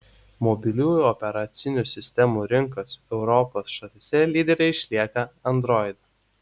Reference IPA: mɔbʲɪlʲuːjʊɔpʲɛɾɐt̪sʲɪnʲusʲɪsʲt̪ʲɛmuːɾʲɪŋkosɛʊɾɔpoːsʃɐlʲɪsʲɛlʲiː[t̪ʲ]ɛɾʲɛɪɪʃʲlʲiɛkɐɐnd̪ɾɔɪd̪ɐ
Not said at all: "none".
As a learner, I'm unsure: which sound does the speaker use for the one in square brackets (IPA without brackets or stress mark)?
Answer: d̪ʲ